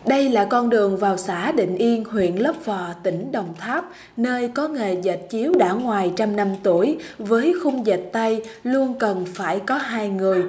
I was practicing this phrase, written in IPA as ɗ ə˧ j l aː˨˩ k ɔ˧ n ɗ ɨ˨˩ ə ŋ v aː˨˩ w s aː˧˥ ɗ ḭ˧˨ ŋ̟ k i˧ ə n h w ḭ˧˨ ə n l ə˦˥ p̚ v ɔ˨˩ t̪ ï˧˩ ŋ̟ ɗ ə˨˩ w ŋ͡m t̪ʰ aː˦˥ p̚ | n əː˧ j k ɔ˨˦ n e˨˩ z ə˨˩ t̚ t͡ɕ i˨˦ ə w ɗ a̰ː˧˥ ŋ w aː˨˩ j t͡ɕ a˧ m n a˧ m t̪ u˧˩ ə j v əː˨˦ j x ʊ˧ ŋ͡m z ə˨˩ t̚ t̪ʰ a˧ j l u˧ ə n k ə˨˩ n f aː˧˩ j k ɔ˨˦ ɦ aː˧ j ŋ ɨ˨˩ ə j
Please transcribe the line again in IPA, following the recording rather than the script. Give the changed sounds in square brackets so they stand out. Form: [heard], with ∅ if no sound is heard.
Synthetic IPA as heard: ɗ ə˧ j l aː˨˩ k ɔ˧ n ɗ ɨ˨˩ ə ŋ v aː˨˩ w s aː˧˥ ɗ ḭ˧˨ ŋ̟ [ʔ] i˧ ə n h w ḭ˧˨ ə n l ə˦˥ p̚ v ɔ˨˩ t̪ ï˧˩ ŋ̟ ɗ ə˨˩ w ŋ͡m t̪ʰ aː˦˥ p̚ | n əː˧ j k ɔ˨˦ [ŋ] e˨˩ z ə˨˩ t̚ t͡ɕ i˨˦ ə w ɗ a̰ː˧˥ ŋ w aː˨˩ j t͡ɕ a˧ m n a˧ m t̪ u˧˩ ə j v əː˨˦ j x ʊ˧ ŋ͡m z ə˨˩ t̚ [t̪] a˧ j l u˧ ə n k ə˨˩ n f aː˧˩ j k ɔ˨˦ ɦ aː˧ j ŋ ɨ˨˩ ə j